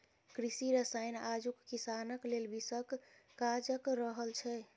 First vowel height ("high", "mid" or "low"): high